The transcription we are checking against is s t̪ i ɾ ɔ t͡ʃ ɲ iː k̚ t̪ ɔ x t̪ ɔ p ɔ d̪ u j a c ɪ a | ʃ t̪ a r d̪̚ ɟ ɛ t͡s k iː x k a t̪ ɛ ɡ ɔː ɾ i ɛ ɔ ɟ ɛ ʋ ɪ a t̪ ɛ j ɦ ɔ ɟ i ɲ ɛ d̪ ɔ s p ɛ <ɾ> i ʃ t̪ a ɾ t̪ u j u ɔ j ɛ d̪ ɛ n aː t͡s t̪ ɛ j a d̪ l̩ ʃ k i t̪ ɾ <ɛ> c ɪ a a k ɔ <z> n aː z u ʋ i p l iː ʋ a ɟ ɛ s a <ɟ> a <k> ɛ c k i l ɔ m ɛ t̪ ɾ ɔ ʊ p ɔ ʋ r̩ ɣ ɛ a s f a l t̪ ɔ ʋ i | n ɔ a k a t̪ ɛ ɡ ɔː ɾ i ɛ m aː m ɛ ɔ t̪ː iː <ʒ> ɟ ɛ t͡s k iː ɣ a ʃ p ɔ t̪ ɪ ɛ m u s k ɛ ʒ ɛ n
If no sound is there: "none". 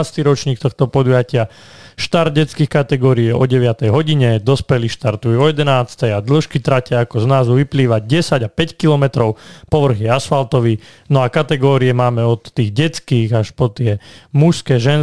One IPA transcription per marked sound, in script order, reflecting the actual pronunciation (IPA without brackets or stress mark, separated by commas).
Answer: l, a, z, ɟ, p, ɣ